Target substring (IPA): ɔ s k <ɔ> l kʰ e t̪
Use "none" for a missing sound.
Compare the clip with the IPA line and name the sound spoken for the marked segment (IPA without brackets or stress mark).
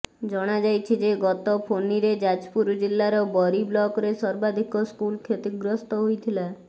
u